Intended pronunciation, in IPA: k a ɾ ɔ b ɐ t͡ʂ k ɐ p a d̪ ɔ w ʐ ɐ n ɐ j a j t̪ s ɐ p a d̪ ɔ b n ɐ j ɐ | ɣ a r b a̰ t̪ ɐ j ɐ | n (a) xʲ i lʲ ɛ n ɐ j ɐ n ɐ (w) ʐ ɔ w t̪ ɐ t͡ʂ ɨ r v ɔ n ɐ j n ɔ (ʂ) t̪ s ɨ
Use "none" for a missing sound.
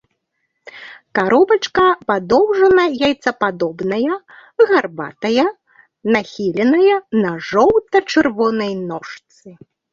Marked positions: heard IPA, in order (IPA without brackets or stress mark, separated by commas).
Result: a, none, ʂ